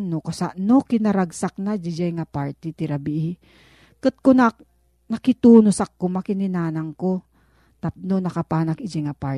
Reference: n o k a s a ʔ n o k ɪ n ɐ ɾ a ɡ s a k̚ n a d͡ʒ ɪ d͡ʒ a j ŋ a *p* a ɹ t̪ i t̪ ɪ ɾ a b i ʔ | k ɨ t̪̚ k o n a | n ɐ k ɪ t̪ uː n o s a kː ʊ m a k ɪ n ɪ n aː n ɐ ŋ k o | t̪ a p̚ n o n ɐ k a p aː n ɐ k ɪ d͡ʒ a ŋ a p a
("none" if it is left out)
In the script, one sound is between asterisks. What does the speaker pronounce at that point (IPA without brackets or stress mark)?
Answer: p